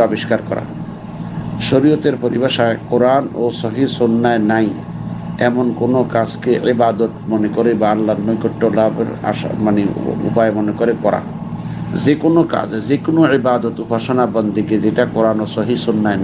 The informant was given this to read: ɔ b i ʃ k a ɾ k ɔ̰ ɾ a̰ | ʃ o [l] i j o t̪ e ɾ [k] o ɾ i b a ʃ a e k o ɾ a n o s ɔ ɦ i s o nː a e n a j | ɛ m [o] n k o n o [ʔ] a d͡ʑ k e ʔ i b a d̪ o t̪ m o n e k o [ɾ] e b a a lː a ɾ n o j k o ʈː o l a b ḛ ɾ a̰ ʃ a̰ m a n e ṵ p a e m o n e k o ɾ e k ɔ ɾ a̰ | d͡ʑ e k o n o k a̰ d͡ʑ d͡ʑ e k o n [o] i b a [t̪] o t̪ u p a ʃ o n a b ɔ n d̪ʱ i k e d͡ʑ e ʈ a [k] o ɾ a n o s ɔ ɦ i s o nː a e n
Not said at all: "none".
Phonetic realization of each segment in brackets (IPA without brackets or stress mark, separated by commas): ɾ, p, o, k, ɾ, o, d̪, k